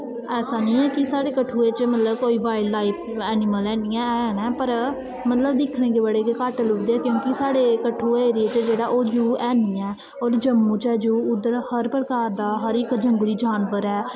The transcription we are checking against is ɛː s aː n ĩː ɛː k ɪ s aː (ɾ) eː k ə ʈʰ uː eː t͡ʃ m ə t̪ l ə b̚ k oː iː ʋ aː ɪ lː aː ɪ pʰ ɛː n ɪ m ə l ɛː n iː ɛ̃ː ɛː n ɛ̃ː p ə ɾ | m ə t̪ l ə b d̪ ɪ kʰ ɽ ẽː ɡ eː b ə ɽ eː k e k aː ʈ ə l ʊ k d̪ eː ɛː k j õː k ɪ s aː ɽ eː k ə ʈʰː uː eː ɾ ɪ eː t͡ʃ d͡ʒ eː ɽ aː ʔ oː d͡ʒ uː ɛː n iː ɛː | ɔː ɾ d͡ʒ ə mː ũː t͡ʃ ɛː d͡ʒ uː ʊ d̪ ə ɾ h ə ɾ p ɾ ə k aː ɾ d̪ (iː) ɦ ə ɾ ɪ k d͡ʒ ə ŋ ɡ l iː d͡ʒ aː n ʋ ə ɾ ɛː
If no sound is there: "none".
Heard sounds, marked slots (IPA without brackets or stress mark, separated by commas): ɽ, aː